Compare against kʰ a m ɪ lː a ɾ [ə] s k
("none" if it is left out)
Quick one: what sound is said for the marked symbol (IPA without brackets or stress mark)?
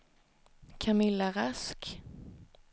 a